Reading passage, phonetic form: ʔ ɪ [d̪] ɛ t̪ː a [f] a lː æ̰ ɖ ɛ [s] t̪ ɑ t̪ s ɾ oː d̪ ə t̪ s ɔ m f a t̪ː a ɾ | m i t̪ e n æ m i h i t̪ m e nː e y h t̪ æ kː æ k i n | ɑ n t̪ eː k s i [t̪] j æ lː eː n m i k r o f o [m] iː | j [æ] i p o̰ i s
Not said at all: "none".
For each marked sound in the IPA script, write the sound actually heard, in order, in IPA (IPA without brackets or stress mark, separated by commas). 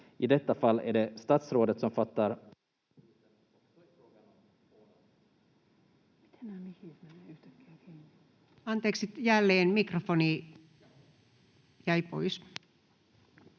d̪, f, s, t̪, n, æ